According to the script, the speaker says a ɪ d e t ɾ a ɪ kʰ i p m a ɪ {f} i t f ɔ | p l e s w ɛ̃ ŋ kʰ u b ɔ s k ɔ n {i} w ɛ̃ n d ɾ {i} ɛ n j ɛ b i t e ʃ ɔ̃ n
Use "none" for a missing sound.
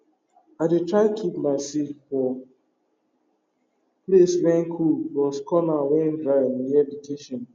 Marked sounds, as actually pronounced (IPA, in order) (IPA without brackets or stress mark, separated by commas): s, a, a